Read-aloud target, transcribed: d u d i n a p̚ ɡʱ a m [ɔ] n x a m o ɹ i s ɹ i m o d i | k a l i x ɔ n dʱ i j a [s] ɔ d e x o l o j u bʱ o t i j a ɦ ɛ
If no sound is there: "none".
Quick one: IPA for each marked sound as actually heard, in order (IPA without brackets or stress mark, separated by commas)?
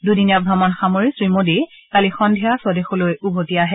ɔ, s